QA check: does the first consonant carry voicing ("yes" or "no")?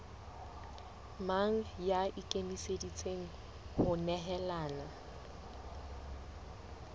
yes